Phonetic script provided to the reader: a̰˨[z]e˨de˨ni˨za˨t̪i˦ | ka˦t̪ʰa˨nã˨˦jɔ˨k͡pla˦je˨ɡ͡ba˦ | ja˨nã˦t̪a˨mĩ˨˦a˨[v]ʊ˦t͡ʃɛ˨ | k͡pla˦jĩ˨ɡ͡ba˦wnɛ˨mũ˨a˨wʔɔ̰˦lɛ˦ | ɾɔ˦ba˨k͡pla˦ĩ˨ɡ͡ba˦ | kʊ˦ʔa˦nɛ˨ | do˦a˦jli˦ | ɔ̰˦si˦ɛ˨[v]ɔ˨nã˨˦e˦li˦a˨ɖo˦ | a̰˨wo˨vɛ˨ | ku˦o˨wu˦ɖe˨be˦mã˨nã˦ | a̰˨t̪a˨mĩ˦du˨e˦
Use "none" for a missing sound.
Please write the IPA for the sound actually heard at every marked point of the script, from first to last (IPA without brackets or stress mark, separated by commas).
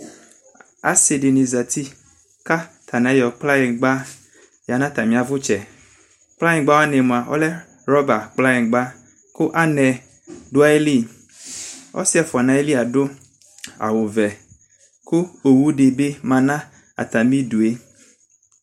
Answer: s, v, f